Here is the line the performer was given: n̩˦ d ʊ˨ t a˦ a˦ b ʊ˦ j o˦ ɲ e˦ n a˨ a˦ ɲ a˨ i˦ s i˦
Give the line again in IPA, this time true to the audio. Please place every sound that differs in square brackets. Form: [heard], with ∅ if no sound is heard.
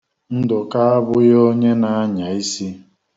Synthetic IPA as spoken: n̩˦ d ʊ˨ [k] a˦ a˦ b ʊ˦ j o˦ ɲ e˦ n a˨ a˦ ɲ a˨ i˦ s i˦